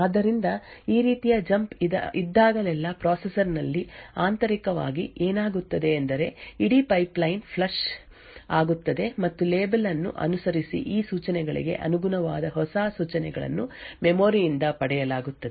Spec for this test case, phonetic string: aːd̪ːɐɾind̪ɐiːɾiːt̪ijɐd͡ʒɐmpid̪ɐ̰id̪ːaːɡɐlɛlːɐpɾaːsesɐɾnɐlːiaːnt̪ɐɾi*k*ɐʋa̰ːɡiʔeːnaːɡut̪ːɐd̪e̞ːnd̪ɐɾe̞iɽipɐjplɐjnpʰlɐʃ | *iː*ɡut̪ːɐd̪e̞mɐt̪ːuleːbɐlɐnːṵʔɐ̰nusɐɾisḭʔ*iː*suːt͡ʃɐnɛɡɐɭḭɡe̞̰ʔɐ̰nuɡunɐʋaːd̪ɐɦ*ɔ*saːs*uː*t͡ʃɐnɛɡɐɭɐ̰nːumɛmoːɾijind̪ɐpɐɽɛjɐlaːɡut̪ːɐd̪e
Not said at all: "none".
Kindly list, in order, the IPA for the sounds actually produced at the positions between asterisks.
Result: k, aː, iː, ɔ, uː

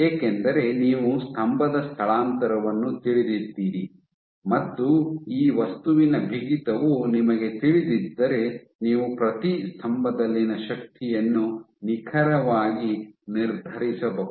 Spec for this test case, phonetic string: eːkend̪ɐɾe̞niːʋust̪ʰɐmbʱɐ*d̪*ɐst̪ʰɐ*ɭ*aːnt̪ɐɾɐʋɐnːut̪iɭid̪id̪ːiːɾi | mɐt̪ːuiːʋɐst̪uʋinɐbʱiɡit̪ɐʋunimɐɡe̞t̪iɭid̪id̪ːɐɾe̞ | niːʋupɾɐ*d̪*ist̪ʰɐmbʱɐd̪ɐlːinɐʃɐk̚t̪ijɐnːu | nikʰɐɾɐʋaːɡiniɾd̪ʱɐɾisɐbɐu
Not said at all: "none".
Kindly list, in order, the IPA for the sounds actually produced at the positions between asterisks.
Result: d̪, ɭ, t̪

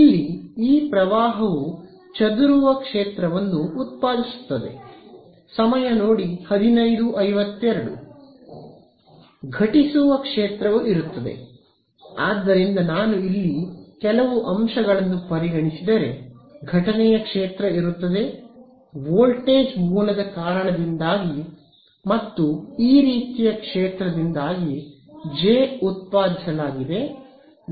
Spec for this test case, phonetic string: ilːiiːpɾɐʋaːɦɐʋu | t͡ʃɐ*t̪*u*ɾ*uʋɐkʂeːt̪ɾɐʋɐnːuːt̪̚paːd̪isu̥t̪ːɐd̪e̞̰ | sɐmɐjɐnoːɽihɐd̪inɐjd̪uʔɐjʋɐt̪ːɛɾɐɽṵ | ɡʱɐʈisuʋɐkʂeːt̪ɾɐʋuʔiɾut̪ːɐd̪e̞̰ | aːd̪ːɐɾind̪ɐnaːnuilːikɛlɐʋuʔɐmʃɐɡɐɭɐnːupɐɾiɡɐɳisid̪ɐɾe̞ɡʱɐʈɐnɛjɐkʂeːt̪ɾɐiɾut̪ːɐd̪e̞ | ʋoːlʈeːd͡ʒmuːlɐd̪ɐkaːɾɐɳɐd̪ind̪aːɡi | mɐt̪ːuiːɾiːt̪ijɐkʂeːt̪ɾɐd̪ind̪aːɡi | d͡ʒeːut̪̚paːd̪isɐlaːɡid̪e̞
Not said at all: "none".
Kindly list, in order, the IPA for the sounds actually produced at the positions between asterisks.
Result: d̪, ɾ

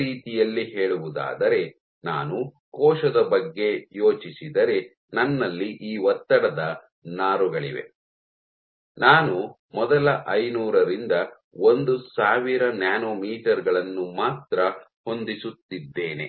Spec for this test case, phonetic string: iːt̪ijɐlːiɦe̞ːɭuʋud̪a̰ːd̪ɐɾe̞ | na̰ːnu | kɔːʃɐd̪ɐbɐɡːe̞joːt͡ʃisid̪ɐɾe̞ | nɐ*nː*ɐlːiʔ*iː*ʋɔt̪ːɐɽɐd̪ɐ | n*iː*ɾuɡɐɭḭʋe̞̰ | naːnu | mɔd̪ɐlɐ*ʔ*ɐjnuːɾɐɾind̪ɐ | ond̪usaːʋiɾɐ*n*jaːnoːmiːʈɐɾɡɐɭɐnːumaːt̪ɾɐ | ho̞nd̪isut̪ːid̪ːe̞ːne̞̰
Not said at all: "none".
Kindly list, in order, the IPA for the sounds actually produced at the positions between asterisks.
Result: nː, iː, aː, ʔ, n

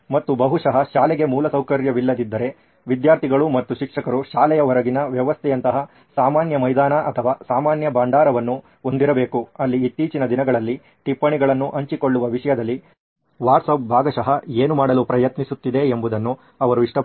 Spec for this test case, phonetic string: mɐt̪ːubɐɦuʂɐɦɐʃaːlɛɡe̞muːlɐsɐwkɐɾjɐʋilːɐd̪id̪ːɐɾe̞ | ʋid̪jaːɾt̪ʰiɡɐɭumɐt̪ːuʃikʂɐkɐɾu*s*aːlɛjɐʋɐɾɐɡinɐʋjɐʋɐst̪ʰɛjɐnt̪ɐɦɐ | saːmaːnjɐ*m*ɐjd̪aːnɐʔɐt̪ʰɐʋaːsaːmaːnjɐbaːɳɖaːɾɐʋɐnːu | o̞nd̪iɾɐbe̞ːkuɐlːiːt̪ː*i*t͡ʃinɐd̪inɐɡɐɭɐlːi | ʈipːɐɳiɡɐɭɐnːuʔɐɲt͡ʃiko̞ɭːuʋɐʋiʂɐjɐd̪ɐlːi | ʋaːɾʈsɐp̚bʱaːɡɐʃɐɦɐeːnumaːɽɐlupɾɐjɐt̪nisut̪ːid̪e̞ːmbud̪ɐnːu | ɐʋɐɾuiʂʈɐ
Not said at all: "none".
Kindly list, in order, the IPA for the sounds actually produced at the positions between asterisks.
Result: ʃ, m, iː

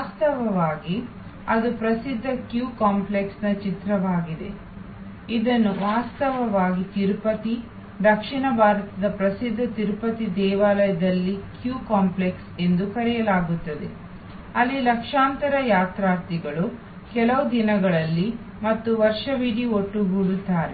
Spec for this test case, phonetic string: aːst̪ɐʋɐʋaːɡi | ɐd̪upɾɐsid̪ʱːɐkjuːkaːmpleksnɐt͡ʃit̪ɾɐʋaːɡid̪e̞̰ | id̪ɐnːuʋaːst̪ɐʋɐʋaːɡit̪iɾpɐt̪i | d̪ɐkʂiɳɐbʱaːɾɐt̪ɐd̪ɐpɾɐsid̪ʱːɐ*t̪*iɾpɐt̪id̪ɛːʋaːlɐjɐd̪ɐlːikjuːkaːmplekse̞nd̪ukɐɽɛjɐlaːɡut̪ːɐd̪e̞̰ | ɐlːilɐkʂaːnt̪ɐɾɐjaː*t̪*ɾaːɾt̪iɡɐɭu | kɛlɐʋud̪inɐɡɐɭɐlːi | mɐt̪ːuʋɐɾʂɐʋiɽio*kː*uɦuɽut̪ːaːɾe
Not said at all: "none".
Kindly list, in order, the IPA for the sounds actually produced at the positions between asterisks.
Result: t̪, t̪, ʈː

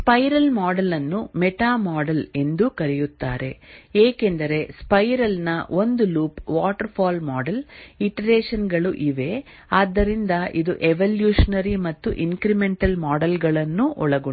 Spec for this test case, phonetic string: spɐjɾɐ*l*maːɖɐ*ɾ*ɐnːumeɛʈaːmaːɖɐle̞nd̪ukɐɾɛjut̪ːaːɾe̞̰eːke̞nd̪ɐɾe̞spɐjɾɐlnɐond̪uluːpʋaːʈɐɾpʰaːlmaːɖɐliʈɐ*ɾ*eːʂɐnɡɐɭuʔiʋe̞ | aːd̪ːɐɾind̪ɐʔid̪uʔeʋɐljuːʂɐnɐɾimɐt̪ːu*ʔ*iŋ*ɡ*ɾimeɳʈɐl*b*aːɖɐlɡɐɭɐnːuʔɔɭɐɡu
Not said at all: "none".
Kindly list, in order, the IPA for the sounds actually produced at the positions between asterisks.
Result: l, l, ɾ, ʔ, k, m

